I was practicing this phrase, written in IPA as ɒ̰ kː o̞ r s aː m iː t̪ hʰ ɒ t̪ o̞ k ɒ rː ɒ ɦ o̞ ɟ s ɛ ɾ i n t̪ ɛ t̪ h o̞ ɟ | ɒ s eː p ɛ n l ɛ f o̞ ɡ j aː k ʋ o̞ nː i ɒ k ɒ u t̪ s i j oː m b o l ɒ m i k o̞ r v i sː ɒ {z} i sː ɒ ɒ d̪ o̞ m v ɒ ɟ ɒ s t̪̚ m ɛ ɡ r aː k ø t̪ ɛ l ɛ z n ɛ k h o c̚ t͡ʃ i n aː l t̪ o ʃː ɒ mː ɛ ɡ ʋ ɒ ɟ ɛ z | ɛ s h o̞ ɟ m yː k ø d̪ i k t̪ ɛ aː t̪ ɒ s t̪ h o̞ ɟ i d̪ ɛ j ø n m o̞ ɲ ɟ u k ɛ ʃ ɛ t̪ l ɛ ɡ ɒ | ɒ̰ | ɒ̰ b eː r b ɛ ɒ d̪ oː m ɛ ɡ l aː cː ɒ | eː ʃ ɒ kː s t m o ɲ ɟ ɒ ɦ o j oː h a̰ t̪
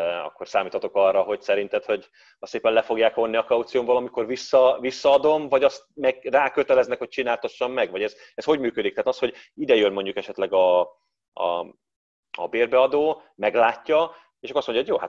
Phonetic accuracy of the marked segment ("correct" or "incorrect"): incorrect